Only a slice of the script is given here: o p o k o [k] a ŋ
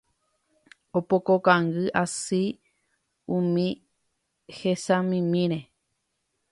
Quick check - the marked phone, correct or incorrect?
correct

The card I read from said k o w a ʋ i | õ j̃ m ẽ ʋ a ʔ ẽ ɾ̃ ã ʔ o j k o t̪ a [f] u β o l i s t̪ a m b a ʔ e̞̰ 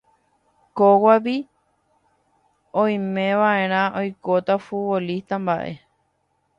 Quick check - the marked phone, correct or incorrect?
correct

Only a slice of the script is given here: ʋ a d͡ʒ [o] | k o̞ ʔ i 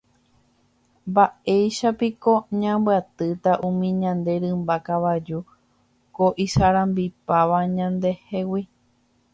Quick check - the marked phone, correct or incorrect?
incorrect: u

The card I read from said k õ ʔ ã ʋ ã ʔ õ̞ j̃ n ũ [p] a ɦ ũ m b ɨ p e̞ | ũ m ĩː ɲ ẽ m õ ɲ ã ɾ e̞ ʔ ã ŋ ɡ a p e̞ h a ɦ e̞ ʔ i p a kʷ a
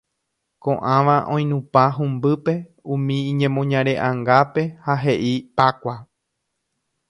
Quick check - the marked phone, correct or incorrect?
correct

